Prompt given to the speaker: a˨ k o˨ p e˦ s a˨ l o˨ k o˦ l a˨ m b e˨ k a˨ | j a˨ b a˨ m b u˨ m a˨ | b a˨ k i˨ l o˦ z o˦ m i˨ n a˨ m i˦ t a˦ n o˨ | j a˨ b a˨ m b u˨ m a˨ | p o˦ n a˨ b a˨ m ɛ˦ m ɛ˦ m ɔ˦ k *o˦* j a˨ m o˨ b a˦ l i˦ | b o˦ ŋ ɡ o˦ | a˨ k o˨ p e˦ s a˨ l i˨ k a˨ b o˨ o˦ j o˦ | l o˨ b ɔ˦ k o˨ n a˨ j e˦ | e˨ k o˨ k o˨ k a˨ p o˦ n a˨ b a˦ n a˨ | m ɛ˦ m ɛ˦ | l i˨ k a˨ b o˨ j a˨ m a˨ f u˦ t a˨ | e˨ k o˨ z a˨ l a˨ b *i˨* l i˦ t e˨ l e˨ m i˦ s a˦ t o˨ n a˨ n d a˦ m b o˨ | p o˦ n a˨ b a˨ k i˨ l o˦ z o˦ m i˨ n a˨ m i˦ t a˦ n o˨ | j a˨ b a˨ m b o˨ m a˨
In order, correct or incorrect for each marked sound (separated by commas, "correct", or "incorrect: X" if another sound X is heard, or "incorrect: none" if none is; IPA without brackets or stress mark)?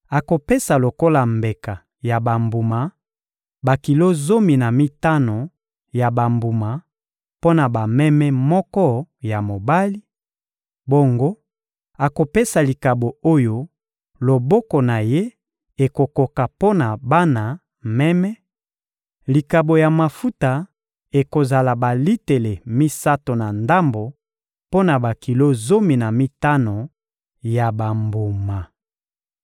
incorrect: ɔ˦, incorrect: a˨